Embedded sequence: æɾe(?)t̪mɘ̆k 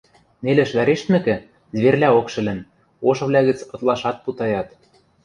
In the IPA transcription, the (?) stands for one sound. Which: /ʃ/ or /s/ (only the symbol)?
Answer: ʃ